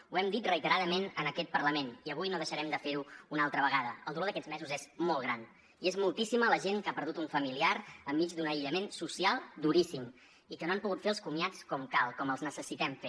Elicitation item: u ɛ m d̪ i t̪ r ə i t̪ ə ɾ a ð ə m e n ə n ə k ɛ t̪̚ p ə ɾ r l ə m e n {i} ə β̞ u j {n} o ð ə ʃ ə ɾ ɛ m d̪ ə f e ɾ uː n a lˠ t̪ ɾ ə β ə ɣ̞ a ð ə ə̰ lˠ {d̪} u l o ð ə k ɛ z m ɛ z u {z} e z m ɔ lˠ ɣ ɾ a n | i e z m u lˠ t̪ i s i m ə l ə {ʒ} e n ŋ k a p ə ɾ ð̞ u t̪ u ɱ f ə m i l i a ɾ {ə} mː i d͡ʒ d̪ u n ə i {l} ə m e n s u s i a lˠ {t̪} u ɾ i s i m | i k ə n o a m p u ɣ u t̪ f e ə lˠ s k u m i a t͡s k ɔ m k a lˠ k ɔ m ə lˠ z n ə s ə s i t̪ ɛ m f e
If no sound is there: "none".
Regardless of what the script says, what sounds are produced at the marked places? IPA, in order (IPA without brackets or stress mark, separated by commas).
i, n, d̪, z, ʒ, ə, ʎ, d̪